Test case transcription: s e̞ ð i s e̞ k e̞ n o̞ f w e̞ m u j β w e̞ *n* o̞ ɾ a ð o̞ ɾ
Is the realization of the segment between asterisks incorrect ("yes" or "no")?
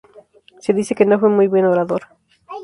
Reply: no